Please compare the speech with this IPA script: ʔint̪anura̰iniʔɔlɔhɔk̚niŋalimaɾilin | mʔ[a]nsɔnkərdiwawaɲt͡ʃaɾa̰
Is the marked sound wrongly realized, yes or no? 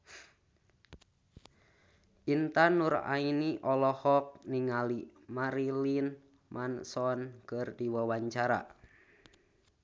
no